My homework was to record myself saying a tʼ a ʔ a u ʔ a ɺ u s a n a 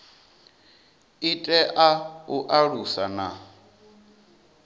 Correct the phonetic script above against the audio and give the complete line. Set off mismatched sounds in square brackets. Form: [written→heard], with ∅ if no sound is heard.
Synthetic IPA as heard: [a→i] tʼ [a→ɛ] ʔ a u ʔ a ɺ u s a n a